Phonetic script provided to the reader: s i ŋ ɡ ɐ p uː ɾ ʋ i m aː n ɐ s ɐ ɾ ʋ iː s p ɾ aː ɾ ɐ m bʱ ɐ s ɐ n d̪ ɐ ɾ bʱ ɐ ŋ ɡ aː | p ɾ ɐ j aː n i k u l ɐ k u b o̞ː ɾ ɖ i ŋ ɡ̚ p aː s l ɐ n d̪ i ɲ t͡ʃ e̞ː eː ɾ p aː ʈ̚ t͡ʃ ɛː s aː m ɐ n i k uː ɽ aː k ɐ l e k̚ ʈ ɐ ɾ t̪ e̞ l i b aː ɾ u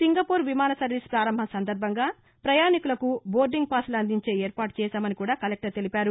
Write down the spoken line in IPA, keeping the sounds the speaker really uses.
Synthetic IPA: s i ŋ ɡ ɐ p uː ɾ ʋ i m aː n ɐ s ɐ ɾ ʋ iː s p ɾ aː ɾ ɐ m bʱ ɐ s ɐ n d̪ ɐ ɾ bʱ ɐ ŋ ɡ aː | p ɾ ɐ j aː n i k u l ɐ k u b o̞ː ɾ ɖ i ŋ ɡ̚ p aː s l ɐ n d̪ i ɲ t͡ʃ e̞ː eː ɾ p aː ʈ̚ t͡ʃ ɛː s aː m ɐ n i k uː ɽ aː k ɐ l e k̚ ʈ ɐ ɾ t̪ e̞ l i p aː ɾ u

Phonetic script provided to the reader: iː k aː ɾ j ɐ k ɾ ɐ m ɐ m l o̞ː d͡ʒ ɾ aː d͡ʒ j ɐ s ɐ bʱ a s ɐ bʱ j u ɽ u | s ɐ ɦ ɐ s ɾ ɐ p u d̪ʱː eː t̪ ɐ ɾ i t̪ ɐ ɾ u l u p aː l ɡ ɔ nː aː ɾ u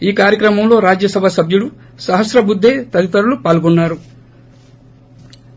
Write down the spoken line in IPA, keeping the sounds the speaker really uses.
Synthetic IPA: iː k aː ɾ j ɐ k ɾ ɐ m ɐ m l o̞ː ɾ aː d͡ʒ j ɐ s ɐ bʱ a s ɐ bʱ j u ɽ u | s ɐ ɦ ɐ s ɾ ɐ b u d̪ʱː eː t̪ ɐ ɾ i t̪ ɐ ɾ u l u p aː l ɡ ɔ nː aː ɾ u

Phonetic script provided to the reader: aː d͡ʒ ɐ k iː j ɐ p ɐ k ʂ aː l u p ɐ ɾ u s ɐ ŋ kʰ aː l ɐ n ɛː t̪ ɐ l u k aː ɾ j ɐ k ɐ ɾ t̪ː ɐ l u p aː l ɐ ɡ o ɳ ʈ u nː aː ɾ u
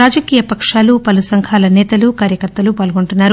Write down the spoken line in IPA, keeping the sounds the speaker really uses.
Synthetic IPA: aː d͡ʒ ɐ k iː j ɐ p ɐ k ʂ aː l u p ɐ l u s ɐ ŋ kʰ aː l ɐ n ɛː t̪ ɐ l u k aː ɾ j ɐ k ɐ ɾ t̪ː ɐ l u p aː l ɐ ɡ o ɳ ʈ u nː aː ɾ u

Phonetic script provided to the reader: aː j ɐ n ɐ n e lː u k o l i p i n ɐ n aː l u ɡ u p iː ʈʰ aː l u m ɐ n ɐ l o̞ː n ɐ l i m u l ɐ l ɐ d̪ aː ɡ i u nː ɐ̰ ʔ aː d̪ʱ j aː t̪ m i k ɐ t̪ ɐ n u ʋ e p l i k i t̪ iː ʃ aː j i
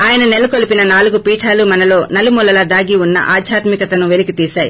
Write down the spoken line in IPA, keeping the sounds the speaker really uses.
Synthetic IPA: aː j ɐ n ɐ n e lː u k o l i p i n ɐ n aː l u ɡ u p iː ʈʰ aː l u m ɐ n ɐ l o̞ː n ɐ l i m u l ɐ l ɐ d̪ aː ɡ i u nː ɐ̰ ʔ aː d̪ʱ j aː t̪ m i k ɐ t̪ ɐ n u ʋ e l i k i t̪ iː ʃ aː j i

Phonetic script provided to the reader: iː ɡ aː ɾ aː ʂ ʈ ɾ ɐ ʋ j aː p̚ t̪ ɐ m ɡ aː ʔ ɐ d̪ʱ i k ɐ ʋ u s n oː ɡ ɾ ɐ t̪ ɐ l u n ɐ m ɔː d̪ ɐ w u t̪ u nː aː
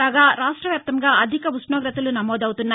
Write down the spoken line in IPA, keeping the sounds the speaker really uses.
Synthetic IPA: aː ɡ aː ɾ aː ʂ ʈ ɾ ɐ ʋ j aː p̚ t̪ ɐ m ɡ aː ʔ ɐ d̪ʱ i k ɐ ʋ u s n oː ɡ ɾ ɐ t̪ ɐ l u n ɐ m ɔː d̪ ɐ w u t̪ u nː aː

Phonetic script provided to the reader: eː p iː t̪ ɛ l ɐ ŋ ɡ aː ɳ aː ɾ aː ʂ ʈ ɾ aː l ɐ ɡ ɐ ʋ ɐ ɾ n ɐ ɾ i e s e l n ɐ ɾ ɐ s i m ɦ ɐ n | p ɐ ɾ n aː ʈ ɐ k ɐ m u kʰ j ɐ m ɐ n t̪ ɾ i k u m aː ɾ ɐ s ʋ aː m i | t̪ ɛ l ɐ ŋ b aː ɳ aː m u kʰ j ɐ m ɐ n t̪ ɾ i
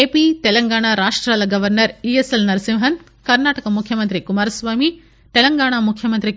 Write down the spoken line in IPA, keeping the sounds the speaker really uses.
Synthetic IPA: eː p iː t̪ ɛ l ɐ ŋ ɡ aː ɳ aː ɾ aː ʂ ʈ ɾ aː l ɐ ɡ ɐ ʋ ɐ ɾ n ɐ ɾ i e s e l n ɐ ɾ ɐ s i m ɦ ɐ n | k ɐ ɾ n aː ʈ ɐ k ɐ m u kʰ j ɐ m ɐ n t̪ ɾ i k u m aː ɾ ɐ s ʋ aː m i | t̪ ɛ l ɐ ŋ ɡ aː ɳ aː m u kʰ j ɐ m ɐ n t̪ ɾ i

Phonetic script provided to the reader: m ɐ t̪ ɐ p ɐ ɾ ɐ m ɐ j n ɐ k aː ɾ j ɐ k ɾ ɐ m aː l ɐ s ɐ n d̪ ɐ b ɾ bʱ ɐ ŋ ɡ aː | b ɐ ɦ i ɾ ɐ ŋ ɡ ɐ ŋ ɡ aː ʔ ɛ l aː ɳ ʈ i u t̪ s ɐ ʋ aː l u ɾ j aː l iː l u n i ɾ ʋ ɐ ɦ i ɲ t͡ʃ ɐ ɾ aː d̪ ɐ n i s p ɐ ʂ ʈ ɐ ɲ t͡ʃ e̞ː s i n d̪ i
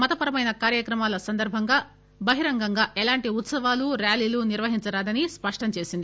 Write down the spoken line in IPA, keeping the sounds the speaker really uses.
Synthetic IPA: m ɐ t̪ ɐ p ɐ ɾ ɐ m ɐ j n ɐ k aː ɾ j ɐ k ɾ ɐ m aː l ɐ s ɐ n d̪ ɐ ɾ bʱ ɐ ŋ ɡ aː | b ɐ ɦ i ɾ ɐ ŋ ɡ ɐ ŋ ɡ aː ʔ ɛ l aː ɳ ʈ i u t̪ s ɐ ʋ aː l u ɾ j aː l iː l u n i ɾ ʋ ɐ ɦ i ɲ t͡ʃ ɐ ɾ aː d̪ ɐ n i s p ɐ ʂ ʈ ɐ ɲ t͡ʃ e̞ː s i n d̪ i

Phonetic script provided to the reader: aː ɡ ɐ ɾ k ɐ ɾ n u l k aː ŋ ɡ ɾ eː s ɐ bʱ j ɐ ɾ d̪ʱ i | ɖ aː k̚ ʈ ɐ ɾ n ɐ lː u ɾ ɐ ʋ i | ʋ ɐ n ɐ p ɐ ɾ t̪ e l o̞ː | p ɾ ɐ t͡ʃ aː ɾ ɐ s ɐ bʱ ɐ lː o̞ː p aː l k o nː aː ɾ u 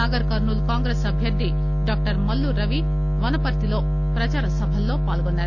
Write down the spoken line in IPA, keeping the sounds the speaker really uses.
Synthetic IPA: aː ɡ ɐ ɾ k ɐ ɾ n u l k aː ŋ ɡ ɾ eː s ɐ bʱ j ɐ ɾ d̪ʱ i | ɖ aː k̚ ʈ ɐ ɾ m ɐ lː u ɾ ɐ ʋ i | ʋ ɐ n ɐ p ɐ ɾ t̪ i l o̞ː | p ɾ ɐ t͡ʃ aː ɾ ɐ s ɐ bʱ ɐ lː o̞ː p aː l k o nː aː ɾ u

